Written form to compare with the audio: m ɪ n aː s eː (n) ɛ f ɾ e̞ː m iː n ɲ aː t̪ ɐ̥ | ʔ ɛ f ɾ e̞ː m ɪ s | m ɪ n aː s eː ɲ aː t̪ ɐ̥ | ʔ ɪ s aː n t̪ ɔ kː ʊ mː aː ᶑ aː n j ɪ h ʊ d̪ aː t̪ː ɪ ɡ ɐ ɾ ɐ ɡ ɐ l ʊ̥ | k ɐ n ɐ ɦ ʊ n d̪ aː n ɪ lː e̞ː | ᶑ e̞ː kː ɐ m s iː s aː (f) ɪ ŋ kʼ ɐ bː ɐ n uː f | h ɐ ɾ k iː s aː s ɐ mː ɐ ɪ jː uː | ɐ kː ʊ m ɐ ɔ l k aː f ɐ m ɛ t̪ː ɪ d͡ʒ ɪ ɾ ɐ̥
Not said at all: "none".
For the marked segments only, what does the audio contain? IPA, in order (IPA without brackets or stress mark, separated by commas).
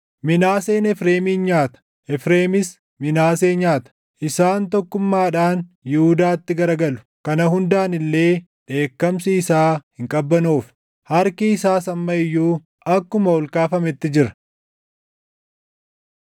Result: n, h